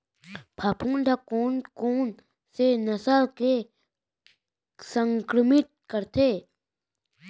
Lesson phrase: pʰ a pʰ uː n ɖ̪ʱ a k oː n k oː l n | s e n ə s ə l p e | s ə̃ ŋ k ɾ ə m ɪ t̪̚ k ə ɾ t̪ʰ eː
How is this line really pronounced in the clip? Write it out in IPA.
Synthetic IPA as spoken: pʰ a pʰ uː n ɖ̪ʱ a k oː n k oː n | s e n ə s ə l k e | s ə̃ ŋ k ɾ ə m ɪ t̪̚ k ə ɾ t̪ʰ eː